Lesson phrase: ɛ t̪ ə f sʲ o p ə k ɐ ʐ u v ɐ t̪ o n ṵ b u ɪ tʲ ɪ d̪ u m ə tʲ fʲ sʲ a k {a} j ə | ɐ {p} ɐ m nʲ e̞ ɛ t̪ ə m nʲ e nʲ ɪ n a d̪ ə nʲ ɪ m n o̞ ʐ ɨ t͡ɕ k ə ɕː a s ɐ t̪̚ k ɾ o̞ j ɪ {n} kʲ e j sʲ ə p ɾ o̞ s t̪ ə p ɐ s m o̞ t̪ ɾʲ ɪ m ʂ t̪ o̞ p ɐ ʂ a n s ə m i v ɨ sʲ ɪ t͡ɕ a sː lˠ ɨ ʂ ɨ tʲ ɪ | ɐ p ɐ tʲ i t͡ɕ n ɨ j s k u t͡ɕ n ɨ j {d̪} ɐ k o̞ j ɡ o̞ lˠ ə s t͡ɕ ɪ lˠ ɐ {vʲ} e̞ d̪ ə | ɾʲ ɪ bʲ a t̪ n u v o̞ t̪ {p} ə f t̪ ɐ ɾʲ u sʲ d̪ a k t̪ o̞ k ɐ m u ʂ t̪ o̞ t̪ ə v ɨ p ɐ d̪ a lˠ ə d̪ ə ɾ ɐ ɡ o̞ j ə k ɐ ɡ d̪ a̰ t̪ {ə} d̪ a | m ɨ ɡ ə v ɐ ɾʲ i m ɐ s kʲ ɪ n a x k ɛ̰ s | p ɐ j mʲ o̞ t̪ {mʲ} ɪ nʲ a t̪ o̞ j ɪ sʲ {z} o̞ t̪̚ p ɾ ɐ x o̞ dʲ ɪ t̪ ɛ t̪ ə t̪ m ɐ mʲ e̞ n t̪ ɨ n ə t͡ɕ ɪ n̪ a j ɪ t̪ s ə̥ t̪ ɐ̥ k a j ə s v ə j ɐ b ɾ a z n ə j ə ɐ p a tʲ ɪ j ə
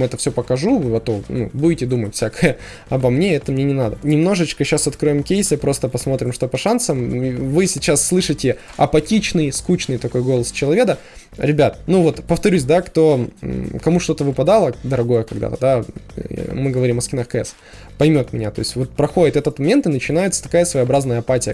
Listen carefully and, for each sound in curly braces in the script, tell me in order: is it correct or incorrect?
incorrect: ə, incorrect: b, incorrect: m, incorrect: t̪, correct, correct, correct, correct, incorrect: v

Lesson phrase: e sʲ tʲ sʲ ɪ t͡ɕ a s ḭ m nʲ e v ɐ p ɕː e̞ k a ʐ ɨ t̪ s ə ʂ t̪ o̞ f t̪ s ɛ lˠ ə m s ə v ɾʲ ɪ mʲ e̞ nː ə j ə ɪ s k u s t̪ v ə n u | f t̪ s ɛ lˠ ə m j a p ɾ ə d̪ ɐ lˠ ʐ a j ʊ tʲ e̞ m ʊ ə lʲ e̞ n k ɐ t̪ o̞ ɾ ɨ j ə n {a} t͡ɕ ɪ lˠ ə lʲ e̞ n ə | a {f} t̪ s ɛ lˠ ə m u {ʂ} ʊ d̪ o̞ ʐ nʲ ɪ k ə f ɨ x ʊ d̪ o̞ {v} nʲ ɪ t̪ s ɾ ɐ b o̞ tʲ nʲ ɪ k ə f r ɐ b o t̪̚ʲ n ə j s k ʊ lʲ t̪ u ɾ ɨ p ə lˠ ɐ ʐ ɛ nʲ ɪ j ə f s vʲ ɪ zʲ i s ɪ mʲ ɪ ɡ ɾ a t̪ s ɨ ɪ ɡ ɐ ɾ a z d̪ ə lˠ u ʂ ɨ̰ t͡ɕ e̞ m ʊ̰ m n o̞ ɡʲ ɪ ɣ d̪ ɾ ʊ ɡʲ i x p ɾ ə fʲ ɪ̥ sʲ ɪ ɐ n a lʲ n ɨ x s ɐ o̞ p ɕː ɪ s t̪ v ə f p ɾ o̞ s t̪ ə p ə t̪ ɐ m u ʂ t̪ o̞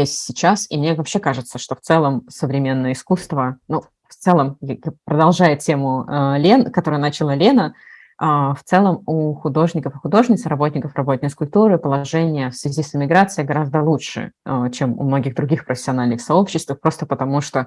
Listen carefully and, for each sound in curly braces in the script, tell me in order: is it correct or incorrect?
correct, correct, incorrect: x, incorrect: ʐ

